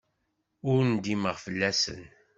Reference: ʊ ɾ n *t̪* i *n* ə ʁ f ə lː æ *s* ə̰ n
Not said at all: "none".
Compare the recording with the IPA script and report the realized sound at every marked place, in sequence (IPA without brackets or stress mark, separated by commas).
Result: d̪, m, s